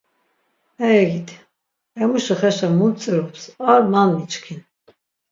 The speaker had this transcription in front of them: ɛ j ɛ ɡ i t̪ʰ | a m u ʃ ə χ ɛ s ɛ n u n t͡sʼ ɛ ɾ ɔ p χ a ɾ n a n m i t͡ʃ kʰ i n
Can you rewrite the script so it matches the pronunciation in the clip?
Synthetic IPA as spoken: ɛ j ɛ ɡ i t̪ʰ | ɛ m u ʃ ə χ ɛ ʃ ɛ m u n t͡sʼ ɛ ɾ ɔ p s a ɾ m a n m i t͡ʃ kʰ i n